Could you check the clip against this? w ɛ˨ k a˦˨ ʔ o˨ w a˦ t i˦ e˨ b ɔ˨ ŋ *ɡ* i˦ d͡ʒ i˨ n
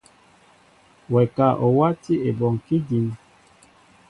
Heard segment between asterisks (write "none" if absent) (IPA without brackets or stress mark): k